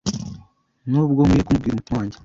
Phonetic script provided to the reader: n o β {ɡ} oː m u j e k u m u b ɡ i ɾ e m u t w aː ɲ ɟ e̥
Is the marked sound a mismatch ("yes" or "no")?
no